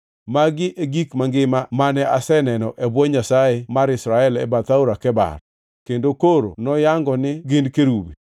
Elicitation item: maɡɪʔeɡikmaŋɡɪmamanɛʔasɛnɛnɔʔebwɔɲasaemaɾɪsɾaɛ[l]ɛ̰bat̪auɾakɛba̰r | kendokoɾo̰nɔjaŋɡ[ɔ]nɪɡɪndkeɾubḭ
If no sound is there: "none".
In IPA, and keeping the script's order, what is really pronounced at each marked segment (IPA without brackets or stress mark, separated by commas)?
l, ɔ